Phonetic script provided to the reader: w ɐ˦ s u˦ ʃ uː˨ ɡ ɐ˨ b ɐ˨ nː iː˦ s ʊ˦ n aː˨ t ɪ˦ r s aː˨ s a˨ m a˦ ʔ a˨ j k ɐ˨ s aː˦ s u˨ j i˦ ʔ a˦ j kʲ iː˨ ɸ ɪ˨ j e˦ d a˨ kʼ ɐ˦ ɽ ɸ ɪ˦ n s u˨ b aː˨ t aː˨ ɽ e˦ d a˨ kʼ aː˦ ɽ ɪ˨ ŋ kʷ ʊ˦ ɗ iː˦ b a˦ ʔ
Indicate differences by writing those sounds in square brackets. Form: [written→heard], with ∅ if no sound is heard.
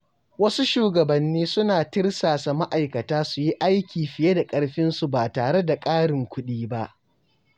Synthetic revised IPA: w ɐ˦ s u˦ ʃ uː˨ ɡ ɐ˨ b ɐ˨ nː iː˦ s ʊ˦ n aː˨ t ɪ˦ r s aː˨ s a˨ m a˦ ʔ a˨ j k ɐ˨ [s→t] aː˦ s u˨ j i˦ ʔ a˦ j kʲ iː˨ ɸ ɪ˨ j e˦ d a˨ kʼ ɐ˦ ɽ ɸ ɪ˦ n s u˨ b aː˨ t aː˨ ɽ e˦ d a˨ kʼ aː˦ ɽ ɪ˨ ŋ kʷ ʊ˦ ɗ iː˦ b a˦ ʔ